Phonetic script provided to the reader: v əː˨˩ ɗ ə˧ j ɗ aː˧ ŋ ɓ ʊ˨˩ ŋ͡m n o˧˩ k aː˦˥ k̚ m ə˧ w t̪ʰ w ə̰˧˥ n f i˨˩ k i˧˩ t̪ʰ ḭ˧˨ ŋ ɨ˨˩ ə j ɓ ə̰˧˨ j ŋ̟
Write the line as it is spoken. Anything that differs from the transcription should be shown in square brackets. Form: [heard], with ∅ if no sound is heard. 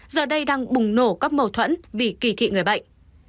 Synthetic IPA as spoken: [z] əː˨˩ ɗ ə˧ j ɗ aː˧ ŋ ɓ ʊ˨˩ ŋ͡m n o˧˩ k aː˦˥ k̚ m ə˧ w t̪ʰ w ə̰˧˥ n [v] i˨˩ k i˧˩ t̪ʰ ḭ˧˨ ŋ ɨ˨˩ ə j ɓ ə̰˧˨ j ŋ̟